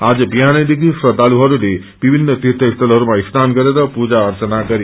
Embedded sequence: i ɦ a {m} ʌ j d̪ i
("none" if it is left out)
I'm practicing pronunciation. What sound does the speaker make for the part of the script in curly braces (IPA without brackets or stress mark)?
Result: n